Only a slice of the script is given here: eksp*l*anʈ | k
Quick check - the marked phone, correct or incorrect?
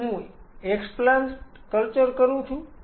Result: correct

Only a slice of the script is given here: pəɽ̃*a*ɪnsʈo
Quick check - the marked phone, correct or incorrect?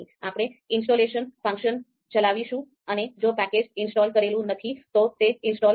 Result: incorrect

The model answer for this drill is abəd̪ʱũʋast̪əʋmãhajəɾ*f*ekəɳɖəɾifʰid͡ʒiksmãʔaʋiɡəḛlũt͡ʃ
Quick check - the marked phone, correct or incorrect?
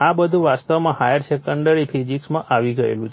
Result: incorrect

